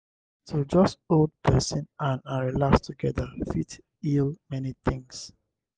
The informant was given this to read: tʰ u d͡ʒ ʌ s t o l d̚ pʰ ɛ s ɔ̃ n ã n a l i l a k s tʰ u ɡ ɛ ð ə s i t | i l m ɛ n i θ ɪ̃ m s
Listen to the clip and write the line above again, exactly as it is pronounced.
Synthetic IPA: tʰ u d͡ʒ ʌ s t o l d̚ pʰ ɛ s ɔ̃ n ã n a ɹ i l a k s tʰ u ɡ ɛ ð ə f i t | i l m ɛ n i θ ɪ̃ ŋ s